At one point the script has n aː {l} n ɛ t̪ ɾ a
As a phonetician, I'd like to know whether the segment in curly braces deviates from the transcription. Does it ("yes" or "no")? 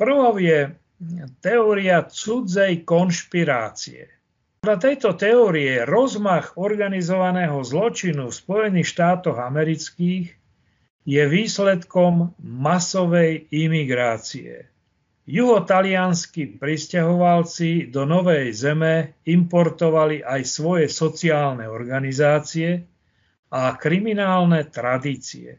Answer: no